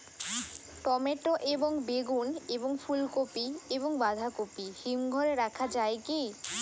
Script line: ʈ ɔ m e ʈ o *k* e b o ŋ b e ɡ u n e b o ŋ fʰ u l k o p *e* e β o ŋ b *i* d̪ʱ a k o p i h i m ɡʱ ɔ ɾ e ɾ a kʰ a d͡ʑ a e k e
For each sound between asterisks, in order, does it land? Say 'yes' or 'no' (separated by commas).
no, no, no